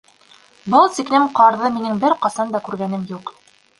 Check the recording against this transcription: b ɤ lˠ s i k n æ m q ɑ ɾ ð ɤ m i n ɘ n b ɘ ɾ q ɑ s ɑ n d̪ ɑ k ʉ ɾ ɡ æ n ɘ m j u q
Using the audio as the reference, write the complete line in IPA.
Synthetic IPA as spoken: b ɤ lˠ s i k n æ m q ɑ ɾ ð ɤ m i n ɘ ŋ b ɘ ɾ q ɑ s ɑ n d̪ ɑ k ʉ ɾ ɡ æ n ɘ m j u q